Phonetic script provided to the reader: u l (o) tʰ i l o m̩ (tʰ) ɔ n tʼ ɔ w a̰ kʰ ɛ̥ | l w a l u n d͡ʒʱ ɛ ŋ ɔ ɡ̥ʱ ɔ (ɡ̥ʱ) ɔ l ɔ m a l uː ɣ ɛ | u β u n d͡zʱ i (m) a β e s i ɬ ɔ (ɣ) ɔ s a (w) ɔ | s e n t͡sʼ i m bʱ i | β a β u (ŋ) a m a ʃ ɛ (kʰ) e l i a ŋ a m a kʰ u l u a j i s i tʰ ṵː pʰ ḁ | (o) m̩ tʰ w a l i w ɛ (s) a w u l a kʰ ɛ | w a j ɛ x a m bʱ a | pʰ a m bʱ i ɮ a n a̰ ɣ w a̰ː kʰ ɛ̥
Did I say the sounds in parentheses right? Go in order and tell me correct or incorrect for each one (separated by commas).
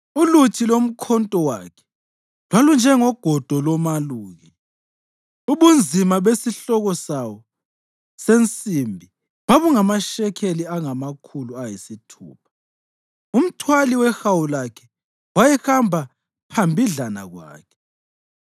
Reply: incorrect, incorrect, incorrect, correct, correct, correct, correct, correct, incorrect, incorrect